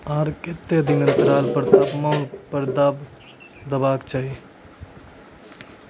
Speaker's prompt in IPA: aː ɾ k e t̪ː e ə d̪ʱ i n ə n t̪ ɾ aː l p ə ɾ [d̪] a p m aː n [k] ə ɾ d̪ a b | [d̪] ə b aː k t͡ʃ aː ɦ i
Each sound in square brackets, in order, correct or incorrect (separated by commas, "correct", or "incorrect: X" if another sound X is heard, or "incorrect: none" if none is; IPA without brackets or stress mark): incorrect: t̪, incorrect: p, correct